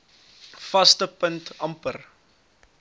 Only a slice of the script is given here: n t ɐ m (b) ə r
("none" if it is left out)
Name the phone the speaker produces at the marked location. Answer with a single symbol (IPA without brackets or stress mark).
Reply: p